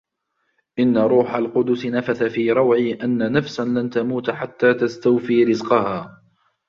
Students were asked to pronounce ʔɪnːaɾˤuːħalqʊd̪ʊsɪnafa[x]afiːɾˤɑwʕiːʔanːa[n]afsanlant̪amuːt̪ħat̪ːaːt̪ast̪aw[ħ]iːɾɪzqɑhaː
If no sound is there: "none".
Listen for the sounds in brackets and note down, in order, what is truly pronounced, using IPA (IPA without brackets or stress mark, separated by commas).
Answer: θ, n, f